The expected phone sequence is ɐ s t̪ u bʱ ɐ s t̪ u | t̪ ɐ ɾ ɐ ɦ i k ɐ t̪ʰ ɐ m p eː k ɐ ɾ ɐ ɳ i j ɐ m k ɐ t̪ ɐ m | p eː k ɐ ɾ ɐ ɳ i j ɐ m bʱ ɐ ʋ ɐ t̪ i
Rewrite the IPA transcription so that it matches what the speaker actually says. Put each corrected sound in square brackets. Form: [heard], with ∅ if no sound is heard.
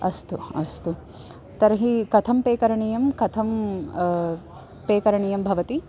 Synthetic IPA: ɐ s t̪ u [∅] ɐ s t̪ u | t̪ ɐ ɾ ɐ ɦ i k ɐ t̪ʰ ɐ m p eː k ɐ ɾ ɐ ɳ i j ɐ m k ɐ [t̪ʰ] ɐ m | p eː k ɐ ɾ ɐ ɳ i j ɐ m bʱ ɐ ʋ ɐ t̪ i